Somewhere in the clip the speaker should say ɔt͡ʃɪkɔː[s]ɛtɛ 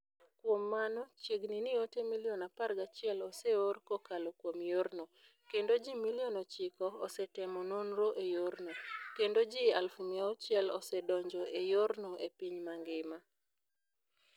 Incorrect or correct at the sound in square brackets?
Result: correct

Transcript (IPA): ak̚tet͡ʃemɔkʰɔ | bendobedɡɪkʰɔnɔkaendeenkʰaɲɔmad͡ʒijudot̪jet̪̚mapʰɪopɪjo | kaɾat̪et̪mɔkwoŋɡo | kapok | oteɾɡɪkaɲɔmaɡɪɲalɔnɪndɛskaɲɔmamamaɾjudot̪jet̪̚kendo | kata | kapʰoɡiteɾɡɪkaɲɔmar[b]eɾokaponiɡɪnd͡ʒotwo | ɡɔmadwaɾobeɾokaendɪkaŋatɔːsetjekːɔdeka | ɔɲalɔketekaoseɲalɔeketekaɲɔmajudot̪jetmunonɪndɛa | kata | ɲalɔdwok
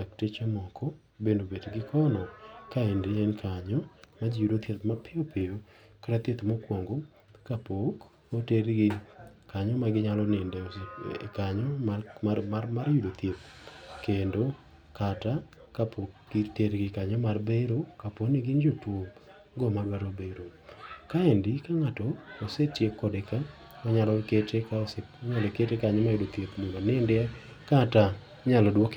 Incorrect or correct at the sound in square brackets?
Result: correct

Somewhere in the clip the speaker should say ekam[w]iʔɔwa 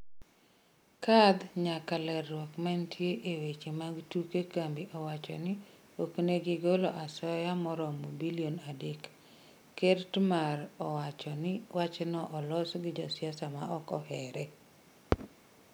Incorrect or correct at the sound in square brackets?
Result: incorrect: b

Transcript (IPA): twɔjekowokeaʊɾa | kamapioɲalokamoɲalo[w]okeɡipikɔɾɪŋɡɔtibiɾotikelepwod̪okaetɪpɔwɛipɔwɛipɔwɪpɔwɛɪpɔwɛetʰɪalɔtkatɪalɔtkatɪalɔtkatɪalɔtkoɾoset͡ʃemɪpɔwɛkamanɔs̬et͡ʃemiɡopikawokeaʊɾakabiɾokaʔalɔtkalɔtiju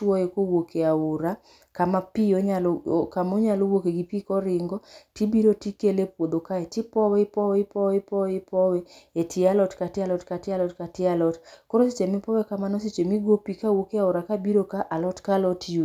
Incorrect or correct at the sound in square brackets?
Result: correct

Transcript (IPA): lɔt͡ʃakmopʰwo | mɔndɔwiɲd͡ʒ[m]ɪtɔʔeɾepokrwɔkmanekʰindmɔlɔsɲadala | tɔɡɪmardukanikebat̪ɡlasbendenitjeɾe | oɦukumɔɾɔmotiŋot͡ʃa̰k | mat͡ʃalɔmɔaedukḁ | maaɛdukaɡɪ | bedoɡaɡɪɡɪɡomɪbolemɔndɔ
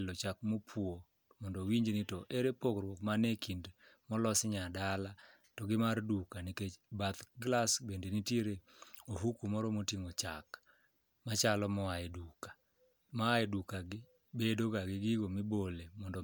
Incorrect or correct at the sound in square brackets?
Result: incorrect: n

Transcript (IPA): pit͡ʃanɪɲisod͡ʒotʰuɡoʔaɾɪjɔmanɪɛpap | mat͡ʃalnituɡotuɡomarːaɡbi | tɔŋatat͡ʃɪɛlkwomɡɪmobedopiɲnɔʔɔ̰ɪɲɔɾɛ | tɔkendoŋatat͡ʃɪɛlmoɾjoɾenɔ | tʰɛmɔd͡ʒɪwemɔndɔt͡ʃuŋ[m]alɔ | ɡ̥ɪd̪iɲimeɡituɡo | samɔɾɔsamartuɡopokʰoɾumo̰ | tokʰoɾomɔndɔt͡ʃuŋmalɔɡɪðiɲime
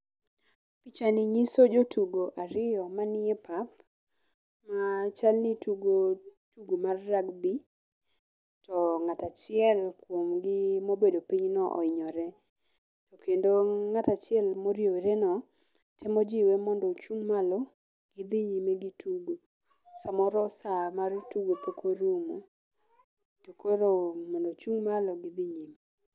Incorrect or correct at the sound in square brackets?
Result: correct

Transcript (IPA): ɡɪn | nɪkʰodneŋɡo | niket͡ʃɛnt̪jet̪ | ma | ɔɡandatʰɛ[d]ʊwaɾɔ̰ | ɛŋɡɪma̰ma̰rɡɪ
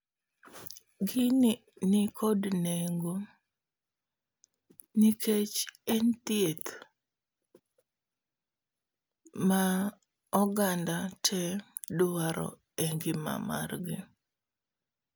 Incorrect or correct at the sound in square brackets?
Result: correct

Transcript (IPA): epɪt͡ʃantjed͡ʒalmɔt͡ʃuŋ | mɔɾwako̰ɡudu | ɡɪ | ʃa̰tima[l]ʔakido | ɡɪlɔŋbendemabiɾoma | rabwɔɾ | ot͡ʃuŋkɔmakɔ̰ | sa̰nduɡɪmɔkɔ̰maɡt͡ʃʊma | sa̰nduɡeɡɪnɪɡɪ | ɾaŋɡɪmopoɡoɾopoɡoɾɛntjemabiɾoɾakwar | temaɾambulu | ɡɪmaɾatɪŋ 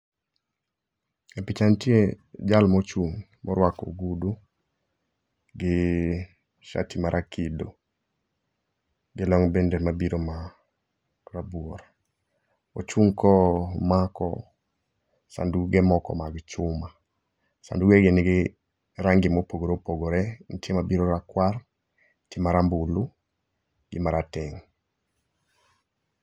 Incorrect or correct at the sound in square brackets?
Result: incorrect: ɾ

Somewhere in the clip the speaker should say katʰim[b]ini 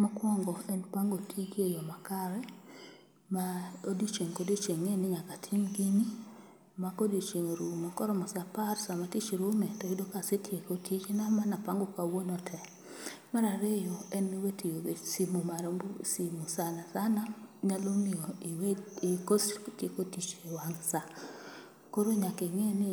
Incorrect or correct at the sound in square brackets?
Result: incorrect: ɡ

